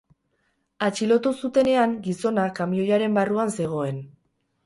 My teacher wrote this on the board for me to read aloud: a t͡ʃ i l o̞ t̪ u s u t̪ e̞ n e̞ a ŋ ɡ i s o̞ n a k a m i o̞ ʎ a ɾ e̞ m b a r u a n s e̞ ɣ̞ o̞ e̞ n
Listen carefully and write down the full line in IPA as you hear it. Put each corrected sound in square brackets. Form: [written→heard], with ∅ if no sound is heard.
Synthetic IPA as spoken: a t͡ʃ i l o̞ t̪ u s u t̪ e̞ n e̞ a ŋ ɡ i s o̞ n a k a m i o̞ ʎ a ɾ e̞ m b a r u a n s e̞ ɣ̞ o̞ e̞ n